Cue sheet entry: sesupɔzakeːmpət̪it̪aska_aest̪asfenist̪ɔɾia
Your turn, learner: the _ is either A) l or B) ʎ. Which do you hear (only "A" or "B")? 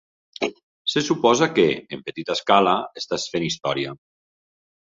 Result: A